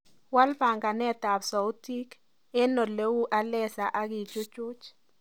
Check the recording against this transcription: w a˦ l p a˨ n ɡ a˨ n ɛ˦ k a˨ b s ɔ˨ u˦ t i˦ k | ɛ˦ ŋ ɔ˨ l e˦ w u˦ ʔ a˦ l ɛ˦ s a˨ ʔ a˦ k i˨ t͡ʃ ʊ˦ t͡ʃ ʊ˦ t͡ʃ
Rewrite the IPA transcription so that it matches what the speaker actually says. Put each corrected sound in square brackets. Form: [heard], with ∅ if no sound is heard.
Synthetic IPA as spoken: w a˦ l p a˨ [ŋ] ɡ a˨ n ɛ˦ [t] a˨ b s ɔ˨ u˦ t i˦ k | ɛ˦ [n] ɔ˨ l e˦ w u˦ ʔ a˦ l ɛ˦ s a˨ ʔ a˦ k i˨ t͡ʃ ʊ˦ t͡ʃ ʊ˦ t͡ʃ